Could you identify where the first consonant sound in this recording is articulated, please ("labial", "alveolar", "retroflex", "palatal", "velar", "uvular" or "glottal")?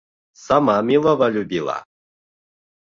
alveolar